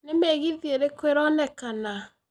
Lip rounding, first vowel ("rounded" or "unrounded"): unrounded